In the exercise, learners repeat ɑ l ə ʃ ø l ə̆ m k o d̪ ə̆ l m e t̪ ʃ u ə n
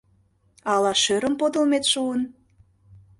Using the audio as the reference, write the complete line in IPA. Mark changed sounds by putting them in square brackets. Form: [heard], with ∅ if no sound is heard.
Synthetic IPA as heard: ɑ l [ɑ] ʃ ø [ɾ] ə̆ m [p] o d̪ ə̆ l m e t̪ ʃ u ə n